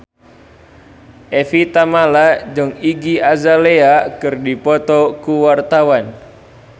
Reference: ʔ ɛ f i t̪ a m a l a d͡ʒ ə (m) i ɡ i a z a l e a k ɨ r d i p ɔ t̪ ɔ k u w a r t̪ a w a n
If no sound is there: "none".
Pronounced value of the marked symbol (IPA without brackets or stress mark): ŋ